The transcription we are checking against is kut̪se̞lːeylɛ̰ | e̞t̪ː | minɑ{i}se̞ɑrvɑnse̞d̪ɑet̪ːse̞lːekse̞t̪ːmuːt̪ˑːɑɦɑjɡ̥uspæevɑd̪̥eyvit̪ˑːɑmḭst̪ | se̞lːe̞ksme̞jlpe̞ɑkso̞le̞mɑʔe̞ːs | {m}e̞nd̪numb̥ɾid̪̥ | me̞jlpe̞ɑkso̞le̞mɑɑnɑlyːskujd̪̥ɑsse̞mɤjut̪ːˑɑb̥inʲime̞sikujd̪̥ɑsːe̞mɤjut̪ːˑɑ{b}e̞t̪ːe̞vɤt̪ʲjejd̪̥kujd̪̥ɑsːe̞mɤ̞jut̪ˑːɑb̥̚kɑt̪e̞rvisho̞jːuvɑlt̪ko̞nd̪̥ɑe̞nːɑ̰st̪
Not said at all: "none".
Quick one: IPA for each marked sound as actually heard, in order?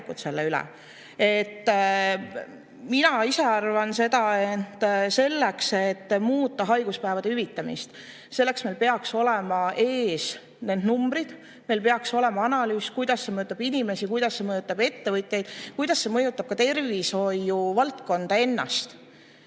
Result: i, n, b

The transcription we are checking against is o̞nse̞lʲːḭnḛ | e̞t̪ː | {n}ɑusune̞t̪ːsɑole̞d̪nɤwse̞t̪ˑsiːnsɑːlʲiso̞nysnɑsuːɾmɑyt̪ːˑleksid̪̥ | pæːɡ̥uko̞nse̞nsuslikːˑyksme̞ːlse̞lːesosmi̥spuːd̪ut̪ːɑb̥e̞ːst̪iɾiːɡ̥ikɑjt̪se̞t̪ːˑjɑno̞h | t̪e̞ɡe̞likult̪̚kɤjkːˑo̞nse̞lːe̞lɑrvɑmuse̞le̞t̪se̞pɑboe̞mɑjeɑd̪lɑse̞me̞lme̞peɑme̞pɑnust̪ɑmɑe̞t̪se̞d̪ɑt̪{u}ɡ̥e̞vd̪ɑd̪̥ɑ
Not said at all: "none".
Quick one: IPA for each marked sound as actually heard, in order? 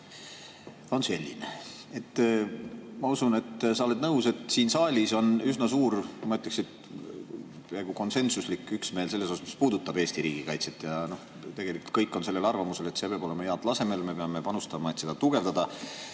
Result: m, u

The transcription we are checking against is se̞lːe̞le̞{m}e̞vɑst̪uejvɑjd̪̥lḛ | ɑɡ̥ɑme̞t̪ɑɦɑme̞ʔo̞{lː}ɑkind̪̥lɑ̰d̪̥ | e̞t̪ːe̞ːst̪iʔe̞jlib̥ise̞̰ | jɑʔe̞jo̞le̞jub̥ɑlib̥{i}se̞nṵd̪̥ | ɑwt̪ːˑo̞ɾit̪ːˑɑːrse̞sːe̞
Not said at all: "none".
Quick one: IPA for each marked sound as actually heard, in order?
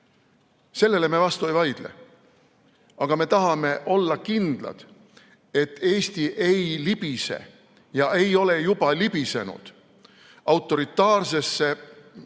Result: m, lː, i

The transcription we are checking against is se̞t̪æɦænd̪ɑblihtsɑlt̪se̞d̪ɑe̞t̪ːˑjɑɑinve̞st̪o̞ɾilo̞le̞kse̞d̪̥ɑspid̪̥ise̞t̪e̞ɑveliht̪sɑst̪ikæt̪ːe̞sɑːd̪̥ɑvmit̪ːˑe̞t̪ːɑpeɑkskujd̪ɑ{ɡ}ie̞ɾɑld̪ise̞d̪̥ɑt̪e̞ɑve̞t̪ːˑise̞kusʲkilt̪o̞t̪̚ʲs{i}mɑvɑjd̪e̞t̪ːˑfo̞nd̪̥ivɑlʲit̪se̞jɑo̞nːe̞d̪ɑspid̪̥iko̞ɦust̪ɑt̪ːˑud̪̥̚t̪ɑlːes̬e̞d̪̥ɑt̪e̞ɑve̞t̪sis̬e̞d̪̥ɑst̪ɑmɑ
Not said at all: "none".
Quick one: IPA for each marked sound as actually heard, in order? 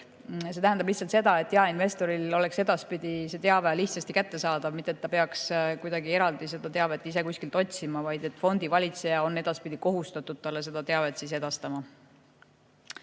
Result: ɡ, i

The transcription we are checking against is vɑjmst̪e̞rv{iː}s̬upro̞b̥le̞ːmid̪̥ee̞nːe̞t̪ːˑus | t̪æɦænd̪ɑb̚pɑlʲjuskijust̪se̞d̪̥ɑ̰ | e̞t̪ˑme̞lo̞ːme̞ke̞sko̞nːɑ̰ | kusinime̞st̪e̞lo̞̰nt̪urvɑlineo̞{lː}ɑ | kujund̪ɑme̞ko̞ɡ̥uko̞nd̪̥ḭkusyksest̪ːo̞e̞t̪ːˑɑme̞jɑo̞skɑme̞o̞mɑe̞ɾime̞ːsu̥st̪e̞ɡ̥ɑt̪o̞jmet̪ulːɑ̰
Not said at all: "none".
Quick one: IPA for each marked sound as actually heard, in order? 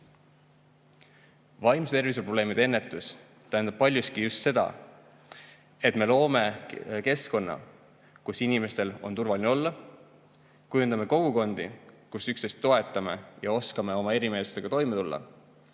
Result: i, lː

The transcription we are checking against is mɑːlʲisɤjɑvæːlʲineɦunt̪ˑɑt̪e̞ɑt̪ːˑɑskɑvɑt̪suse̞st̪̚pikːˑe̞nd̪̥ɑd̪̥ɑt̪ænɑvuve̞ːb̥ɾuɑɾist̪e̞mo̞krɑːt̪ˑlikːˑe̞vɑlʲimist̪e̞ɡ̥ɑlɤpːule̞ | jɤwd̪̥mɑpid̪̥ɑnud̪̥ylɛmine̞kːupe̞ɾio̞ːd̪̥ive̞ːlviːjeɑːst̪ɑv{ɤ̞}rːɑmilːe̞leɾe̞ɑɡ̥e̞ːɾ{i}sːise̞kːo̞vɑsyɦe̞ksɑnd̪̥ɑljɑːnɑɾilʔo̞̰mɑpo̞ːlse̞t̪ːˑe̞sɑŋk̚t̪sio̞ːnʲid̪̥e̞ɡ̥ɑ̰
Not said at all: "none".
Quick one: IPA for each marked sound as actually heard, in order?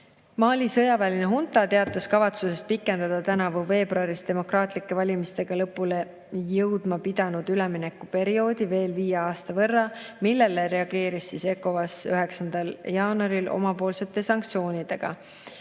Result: ɤ̞, i

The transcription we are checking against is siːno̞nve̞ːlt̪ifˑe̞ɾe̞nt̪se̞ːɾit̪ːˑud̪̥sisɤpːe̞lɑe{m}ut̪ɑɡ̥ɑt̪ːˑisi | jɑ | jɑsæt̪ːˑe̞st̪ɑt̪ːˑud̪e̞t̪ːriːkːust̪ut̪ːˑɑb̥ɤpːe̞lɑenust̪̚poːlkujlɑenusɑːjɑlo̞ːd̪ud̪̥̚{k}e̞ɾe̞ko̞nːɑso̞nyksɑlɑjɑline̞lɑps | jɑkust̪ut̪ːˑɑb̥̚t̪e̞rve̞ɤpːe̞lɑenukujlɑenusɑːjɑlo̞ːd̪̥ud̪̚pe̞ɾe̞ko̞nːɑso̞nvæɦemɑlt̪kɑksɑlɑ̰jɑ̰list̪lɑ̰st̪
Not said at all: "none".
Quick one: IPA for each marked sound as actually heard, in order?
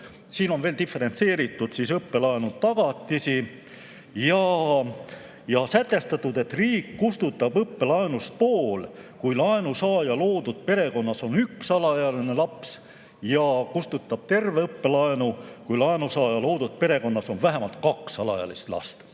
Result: n, p

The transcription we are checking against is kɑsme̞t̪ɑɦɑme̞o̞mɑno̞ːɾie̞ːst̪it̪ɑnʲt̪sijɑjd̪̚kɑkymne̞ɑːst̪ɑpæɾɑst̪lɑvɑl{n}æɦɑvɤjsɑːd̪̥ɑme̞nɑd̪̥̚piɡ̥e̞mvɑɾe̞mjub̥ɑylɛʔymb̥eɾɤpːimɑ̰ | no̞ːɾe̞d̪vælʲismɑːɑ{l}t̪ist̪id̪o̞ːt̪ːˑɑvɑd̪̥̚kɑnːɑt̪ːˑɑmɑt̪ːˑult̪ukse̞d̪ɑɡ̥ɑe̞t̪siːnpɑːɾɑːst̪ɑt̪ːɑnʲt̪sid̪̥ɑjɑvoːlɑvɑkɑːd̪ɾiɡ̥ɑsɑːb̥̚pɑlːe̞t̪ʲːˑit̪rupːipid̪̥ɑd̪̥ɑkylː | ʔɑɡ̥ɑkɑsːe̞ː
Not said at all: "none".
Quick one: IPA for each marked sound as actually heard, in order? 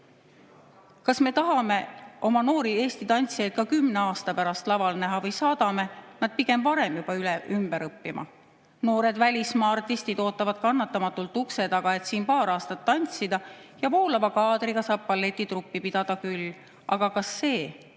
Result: n, r

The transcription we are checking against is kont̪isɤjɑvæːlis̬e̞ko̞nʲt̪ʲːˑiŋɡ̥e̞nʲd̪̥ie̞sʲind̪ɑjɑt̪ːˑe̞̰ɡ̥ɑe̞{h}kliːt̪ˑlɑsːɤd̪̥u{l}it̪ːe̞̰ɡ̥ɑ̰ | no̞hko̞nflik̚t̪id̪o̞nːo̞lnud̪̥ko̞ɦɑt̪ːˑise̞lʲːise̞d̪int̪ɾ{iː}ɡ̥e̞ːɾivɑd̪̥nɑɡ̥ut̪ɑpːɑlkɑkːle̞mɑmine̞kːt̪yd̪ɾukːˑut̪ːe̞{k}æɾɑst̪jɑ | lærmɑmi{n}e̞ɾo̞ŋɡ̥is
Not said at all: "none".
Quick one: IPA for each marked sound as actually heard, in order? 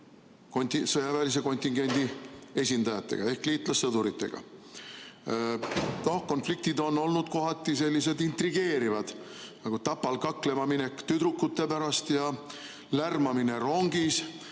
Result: h, ɾ, i, p, n

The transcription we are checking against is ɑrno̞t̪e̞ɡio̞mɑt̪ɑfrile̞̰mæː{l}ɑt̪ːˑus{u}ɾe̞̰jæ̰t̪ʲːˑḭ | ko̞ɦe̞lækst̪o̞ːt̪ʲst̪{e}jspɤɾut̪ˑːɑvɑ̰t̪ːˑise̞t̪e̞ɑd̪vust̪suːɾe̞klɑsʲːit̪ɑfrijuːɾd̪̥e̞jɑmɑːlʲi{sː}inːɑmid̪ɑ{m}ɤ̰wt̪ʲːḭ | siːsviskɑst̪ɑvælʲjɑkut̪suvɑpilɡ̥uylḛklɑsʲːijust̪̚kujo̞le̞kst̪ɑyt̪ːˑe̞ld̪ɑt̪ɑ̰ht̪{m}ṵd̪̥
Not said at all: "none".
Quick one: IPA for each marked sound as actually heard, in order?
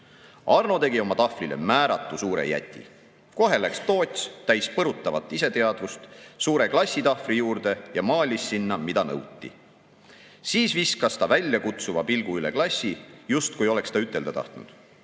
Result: ɾ, uː, æ, sː, n, n

